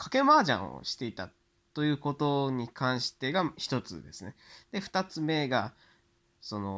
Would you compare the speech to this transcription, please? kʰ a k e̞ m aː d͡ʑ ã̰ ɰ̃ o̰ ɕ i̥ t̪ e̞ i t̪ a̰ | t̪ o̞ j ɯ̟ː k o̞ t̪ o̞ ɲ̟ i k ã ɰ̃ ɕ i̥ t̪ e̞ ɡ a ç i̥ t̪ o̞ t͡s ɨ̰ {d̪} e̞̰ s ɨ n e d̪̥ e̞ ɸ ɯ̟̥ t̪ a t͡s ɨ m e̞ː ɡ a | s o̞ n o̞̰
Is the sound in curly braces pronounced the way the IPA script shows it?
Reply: yes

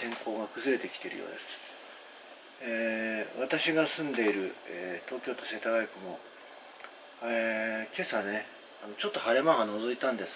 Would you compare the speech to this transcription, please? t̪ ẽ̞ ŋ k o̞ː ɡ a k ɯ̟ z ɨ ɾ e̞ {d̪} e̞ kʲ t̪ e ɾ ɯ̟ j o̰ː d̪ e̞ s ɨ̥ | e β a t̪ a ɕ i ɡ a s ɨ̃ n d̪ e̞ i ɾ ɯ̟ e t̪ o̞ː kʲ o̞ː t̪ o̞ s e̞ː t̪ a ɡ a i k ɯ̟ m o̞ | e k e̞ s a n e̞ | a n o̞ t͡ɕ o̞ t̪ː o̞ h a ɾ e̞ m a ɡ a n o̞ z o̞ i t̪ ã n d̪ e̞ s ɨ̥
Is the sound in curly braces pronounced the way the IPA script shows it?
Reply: no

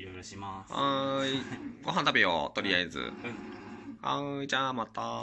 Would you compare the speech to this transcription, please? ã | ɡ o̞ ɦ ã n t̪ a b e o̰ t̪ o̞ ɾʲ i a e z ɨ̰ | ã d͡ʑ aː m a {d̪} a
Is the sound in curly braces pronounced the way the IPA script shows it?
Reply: no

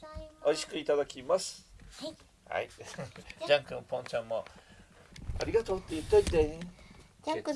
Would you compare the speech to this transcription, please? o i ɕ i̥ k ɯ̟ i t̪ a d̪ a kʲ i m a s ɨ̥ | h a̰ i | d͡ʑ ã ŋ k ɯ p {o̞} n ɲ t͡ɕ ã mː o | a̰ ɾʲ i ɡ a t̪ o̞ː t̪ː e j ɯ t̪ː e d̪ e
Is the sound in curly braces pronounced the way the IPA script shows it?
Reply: no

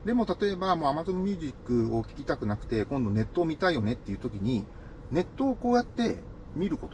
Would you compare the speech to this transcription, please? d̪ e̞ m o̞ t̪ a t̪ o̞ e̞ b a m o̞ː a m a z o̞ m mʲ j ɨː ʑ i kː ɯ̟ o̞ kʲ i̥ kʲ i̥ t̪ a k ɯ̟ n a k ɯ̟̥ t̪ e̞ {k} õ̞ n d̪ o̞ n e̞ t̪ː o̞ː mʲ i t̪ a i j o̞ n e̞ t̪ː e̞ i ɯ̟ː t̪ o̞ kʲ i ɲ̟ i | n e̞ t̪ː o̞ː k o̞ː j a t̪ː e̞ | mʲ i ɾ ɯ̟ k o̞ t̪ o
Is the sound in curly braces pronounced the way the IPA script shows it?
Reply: yes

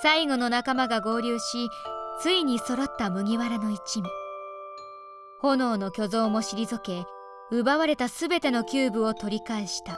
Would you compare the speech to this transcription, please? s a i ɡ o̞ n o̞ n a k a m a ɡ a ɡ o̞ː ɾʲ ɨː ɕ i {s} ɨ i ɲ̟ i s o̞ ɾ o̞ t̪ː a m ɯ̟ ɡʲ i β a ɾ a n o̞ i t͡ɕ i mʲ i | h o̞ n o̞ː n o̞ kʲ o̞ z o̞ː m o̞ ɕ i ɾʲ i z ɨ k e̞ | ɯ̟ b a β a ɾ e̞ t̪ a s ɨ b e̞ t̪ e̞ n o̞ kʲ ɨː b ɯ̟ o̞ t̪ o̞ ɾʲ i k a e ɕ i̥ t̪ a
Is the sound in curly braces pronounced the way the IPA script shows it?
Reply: no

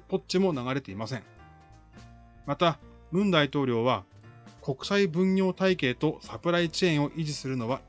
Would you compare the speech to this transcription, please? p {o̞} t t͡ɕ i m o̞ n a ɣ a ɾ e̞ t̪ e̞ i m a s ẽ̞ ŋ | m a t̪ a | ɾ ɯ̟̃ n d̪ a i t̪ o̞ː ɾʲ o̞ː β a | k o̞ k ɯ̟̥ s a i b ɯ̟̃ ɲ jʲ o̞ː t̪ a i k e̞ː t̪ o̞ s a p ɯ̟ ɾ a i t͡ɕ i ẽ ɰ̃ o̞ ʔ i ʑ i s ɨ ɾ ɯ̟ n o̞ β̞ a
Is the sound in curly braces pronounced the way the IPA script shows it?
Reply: yes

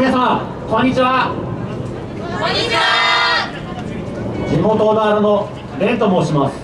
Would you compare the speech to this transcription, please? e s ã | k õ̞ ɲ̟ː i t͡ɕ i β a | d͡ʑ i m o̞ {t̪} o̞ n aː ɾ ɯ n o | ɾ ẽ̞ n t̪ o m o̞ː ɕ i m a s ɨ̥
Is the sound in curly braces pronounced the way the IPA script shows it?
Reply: yes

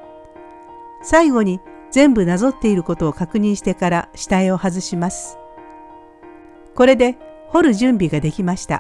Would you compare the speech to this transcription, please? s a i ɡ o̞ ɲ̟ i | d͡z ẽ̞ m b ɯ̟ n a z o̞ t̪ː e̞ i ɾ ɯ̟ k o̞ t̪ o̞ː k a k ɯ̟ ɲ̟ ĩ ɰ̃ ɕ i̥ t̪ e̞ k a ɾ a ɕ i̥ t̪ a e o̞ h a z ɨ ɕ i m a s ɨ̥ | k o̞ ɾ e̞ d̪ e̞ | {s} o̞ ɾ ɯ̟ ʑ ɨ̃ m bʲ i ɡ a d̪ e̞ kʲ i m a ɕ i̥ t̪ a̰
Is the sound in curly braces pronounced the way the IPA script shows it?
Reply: no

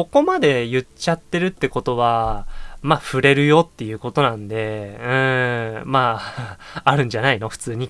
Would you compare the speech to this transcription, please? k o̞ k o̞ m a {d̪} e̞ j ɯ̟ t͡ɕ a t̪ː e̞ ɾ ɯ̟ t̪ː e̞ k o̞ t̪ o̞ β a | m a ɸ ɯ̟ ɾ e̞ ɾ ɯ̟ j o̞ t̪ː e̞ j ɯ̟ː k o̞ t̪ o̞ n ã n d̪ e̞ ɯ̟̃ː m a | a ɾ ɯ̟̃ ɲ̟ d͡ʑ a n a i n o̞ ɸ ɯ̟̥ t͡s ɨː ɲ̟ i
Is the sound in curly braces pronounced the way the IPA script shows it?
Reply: yes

